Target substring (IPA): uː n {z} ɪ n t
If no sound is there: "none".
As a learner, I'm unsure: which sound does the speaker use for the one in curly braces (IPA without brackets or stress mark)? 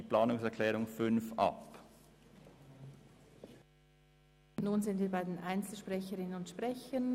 z